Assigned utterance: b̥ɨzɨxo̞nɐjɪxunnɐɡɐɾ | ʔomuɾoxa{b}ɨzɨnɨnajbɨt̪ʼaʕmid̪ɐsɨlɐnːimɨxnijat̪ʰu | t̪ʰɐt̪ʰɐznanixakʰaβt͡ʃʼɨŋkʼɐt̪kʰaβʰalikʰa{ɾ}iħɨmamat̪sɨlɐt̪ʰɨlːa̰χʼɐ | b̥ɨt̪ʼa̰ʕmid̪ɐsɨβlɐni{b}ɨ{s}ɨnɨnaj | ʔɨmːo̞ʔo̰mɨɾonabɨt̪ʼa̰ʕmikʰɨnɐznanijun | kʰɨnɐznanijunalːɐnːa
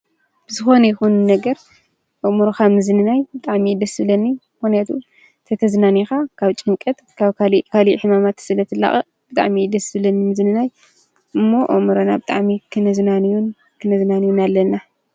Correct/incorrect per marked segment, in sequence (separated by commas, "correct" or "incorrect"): incorrect, incorrect, incorrect, incorrect